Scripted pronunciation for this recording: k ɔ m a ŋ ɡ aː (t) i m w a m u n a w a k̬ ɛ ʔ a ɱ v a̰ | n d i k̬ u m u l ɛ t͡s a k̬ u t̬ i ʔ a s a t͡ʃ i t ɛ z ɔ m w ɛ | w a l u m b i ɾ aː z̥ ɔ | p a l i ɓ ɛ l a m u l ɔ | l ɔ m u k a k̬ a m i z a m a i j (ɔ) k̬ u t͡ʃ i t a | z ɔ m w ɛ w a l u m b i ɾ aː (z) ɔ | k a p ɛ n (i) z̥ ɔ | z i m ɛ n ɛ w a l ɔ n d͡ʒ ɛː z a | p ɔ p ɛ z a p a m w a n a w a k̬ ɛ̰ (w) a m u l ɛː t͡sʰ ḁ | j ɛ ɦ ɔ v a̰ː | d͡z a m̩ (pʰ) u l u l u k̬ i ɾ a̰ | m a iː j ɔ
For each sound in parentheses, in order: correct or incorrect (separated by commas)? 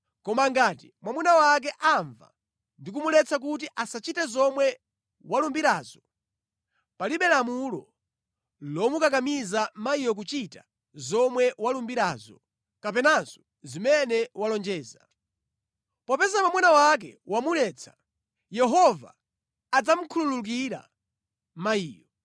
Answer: correct, correct, correct, incorrect, correct, incorrect